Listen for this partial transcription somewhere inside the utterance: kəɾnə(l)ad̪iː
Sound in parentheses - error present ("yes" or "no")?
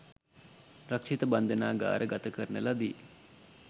no